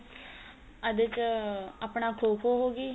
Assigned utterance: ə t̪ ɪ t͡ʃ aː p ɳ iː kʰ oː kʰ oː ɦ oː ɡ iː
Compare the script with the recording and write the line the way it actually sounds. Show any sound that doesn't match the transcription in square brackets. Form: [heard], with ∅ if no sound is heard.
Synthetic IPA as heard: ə [d̪] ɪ t͡ʃ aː p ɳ [aː] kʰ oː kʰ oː ɦ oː ɡ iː